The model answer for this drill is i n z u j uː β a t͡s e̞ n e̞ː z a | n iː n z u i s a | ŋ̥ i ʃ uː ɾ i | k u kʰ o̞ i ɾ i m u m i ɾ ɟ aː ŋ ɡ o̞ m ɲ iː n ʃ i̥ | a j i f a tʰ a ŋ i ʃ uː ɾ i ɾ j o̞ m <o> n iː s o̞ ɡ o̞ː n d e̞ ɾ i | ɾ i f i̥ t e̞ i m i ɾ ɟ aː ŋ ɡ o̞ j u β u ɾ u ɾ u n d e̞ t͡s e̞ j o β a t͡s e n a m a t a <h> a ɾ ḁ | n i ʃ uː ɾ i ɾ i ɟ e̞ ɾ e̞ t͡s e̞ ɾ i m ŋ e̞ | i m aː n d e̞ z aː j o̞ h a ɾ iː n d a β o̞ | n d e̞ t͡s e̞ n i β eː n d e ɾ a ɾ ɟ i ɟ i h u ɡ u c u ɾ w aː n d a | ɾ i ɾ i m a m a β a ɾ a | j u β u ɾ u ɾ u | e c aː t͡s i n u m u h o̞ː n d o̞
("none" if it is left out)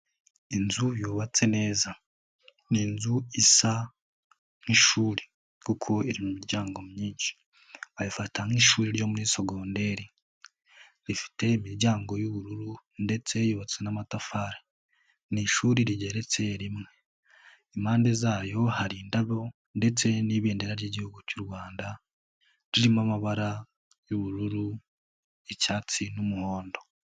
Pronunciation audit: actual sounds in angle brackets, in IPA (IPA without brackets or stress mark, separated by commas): u, f